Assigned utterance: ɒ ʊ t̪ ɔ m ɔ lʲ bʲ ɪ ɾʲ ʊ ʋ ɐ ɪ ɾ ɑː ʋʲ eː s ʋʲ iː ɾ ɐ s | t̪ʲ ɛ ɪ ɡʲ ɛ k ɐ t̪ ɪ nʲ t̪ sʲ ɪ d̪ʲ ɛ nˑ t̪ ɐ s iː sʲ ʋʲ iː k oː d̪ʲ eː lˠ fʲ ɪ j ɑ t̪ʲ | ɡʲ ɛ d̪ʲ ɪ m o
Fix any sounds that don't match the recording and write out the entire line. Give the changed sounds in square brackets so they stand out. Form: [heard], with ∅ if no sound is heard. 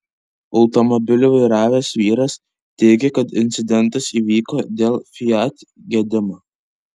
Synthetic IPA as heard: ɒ ʊ t̪ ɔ m ɔ [∅] bʲ ɪ [lʲ] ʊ ʋ ɐ ɪ ɾ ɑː ʋʲ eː s ʋʲ iː ɾ ɐ s | t̪ʲ ɛ ɪ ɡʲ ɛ k ɐ t̪ ɪ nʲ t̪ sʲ ɪ d̪ʲ ɛ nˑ t̪ ɐ s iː [∅] ʋʲ iː k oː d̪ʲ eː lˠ fʲ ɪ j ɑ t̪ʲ | ɡʲ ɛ d̪ʲ ɪ m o